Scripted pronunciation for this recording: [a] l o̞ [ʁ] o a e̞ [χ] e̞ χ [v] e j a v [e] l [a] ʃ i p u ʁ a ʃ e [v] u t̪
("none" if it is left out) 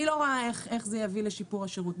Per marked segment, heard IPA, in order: i, ʁ, χ, z, i, e, ʁ

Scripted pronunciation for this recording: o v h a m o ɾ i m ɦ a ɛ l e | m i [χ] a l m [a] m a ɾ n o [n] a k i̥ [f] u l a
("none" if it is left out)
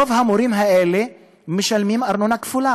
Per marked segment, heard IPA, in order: ʃ, i, n, f

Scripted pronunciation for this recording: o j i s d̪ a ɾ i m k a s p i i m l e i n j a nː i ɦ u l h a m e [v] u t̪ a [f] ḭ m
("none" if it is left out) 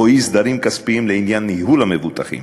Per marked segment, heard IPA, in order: v, χ

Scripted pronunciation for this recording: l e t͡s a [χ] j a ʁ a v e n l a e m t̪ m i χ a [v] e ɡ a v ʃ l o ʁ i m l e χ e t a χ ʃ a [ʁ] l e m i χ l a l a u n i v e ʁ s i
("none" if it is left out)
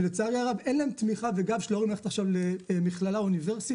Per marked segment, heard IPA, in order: ʁ, v, v

